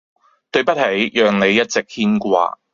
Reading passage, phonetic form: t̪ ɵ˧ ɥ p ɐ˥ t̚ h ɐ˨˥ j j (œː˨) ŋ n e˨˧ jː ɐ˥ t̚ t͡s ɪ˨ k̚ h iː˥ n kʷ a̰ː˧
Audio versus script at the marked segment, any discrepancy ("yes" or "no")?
no